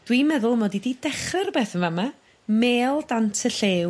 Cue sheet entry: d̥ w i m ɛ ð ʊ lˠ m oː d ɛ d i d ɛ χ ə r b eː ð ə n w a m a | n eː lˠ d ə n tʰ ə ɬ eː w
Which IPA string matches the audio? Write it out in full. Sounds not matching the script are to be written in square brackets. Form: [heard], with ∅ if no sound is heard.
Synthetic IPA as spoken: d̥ w i m ɛ ð ʊ lˠ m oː d [i] d i d ɛ χ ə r b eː [θ] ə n [v] a m a | [m] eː lˠ d [a] n tʰ ə ɬ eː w